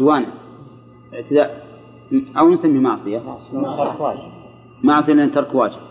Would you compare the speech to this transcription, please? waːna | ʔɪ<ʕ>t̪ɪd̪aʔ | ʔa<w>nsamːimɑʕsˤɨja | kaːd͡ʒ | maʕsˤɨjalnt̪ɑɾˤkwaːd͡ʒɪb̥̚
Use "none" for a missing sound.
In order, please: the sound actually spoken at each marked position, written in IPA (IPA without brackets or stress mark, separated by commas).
ʕ, w